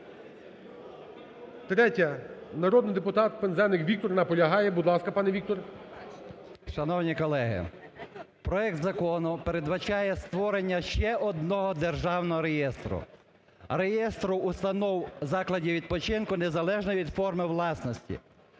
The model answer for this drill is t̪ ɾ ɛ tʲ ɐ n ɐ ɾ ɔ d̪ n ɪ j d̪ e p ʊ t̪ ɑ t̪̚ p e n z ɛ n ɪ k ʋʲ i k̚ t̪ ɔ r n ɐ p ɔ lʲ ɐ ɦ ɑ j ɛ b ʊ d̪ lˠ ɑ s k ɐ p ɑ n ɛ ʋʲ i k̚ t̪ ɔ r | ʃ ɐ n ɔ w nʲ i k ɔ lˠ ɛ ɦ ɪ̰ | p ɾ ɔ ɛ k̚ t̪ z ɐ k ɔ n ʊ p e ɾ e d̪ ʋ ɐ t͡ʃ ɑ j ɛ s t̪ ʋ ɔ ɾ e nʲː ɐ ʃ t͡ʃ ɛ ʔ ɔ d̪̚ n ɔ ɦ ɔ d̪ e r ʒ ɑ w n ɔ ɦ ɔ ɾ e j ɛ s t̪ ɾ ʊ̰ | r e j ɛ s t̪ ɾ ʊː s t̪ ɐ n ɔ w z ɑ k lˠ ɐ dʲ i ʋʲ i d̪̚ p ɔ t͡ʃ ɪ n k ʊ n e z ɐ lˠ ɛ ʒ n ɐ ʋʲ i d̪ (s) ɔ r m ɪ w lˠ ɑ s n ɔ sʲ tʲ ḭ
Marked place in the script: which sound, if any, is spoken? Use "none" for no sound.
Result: f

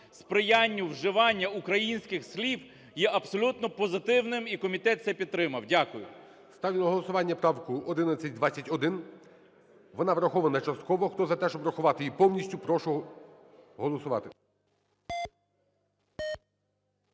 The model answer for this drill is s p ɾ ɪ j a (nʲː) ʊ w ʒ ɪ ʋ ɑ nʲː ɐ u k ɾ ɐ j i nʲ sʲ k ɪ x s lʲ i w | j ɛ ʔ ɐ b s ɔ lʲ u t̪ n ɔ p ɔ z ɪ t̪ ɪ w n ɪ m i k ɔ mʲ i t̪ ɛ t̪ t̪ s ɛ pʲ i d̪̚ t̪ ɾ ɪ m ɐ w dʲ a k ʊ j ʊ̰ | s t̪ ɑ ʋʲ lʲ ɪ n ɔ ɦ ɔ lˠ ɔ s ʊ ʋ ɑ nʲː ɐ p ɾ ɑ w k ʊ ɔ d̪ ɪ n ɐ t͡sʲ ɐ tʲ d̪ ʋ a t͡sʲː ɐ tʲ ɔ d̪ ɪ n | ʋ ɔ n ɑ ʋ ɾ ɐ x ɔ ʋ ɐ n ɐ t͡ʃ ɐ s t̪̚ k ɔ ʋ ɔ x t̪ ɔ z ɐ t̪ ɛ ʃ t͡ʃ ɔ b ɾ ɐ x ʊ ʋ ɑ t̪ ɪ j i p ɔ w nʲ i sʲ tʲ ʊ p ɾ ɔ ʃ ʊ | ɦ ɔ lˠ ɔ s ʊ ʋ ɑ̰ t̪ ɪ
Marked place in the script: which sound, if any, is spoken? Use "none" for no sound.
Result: nʲː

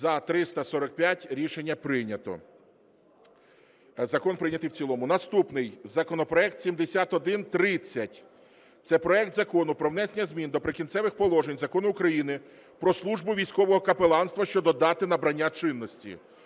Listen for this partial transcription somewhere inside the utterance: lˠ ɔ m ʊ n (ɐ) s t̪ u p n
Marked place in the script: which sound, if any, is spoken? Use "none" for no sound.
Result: ɐ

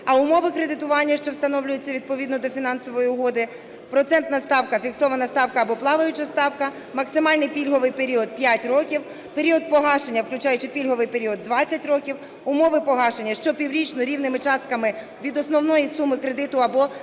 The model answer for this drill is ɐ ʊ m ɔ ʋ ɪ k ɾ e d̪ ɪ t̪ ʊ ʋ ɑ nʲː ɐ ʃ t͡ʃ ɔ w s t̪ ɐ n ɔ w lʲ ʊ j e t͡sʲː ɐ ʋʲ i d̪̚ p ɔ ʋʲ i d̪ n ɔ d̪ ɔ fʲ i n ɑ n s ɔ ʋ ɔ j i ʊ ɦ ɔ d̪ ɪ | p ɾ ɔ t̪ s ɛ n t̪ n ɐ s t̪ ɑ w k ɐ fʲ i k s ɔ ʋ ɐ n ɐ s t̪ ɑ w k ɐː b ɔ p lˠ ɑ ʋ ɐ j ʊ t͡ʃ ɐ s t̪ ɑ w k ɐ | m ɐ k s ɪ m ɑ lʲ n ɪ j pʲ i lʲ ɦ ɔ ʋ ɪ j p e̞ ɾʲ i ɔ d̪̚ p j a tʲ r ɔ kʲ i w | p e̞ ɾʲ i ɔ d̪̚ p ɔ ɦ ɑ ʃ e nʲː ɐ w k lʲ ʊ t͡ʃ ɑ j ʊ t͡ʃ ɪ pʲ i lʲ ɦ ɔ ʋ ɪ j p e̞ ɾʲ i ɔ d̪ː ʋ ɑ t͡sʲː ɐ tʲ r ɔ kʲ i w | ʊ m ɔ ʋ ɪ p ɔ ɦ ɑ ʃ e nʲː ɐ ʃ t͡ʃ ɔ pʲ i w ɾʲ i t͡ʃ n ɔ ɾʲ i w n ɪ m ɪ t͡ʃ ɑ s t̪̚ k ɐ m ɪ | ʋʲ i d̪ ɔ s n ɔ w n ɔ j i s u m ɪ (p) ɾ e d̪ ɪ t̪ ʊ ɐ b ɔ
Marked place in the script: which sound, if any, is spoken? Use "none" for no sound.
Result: k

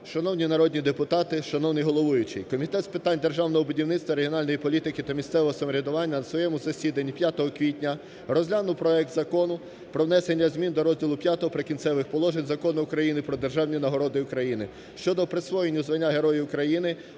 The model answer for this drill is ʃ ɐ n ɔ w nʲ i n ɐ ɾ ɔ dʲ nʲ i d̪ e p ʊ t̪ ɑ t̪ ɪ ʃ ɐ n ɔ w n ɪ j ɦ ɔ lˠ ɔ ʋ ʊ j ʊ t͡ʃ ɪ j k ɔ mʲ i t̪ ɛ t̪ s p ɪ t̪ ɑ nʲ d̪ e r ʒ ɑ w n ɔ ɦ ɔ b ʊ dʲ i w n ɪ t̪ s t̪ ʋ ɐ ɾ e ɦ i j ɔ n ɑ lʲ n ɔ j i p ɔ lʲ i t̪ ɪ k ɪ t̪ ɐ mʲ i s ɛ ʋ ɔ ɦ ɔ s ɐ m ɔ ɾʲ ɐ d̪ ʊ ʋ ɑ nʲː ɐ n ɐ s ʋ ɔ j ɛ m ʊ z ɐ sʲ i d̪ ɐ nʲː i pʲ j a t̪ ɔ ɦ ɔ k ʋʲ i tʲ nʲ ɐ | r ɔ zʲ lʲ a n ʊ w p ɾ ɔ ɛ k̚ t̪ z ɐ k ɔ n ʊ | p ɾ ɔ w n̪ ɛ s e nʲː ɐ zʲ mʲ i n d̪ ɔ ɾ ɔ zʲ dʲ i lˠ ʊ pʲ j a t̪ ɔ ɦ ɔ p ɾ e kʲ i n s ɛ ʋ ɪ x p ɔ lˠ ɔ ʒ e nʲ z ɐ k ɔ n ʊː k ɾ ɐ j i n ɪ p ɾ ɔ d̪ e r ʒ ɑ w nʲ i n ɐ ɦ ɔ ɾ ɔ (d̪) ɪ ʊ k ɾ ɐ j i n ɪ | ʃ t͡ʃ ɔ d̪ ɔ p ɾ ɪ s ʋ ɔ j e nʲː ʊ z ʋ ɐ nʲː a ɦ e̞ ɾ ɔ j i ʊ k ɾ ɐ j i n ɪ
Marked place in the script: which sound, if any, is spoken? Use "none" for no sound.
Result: d̪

